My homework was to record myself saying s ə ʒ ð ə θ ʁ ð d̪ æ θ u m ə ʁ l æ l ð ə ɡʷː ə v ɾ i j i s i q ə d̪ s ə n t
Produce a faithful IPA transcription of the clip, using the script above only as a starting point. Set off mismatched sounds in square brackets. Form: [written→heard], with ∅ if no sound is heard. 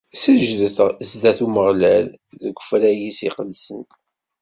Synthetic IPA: s ə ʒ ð ə θ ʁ [ð→z] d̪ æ θ u m ə ʁ l æ l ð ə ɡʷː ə [v→f] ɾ [i→æ] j i s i q ə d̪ s ə n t